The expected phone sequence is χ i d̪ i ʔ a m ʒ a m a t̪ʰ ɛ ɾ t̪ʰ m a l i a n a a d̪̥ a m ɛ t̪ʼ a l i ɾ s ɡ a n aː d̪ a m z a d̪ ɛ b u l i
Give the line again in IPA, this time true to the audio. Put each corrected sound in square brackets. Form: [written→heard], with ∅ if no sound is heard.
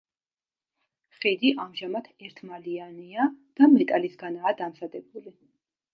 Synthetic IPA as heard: χ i d̪ i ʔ a m ʒ a m a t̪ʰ ɛ ɾ t̪ʰ m a l i a n [a→i] a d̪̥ a m ɛ t̪ʼ a l i [ɾ→∅] s ɡ a n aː d̪ a m z a d̪ ɛ b u l i

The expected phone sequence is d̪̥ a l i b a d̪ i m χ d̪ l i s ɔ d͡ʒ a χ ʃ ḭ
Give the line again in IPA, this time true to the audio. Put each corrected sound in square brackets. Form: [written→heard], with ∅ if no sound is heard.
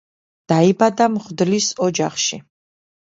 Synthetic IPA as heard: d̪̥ a [l→∅] i b a d̪ [i→a] m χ d̪ l i s ɔ d͡ʒ a χ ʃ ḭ

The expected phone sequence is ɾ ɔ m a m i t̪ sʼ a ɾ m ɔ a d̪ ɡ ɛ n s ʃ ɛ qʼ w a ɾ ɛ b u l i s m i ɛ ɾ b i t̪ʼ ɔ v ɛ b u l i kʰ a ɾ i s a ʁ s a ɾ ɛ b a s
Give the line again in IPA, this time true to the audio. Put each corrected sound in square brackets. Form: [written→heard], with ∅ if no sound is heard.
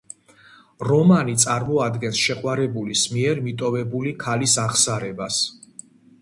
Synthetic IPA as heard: ɾ ɔ m a [m→n] i t̪ sʼ a ɾ m ɔ a d̪ ɡ ɛ n s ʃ ɛ qʼ w a ɾ ɛ b u l i s m i ɛ ɾ [b→m] i t̪ʼ ɔ v ɛ b u l i kʰ a [ɾ→l] i s a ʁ s a ɾ ɛ b a s

